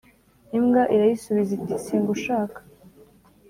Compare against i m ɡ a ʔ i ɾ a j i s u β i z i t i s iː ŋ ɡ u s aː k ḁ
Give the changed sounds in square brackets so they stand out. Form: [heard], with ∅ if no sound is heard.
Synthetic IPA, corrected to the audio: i m ɡ a ʔ i ɾ a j i s u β i z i t i s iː ŋ ɡ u [ʃ] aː k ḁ